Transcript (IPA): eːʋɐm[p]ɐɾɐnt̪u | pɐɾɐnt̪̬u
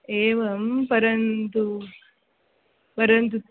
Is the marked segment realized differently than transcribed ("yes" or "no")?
no